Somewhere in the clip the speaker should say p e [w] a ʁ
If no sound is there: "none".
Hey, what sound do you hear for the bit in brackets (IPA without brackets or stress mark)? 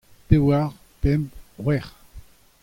w